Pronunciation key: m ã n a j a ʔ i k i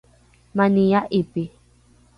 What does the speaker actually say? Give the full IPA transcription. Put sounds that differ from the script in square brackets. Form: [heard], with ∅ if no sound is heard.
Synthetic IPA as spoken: m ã n [i] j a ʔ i [p] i